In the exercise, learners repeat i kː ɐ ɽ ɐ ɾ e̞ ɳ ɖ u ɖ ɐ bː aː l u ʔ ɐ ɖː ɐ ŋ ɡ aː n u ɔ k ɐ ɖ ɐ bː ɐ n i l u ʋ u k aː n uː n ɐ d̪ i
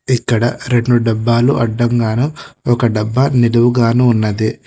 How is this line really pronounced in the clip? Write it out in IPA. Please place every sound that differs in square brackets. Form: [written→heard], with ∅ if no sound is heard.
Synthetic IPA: i kː ɐ ɽ ɐ ɾ e̞ ɳ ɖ u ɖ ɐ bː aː l u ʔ ɐ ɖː ɐ ŋ ɡ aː n u ɔ k ɐ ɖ ɐ bː ɐ n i l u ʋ u [k→ɡ] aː n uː [n→nː] ɐ d̪ i